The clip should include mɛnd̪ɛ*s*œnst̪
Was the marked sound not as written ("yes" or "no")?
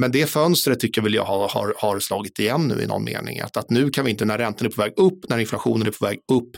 yes